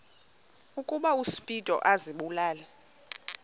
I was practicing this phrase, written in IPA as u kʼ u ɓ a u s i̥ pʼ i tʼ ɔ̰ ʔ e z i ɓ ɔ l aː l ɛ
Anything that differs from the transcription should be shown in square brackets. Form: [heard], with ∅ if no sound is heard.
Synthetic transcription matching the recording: u kʼ u ɓ a u s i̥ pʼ i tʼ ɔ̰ ʔ [a] z i ɓ [u] l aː l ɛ